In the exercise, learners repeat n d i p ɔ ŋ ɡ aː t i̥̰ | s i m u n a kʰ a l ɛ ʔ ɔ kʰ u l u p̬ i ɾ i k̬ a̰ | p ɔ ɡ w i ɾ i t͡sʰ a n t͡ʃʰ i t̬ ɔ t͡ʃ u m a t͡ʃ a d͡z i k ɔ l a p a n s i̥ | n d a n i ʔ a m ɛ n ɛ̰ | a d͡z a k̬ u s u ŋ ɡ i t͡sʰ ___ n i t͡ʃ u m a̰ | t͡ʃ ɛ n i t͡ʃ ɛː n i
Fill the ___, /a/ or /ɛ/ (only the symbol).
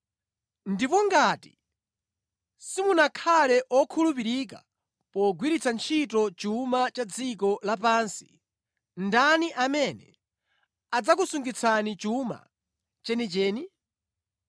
a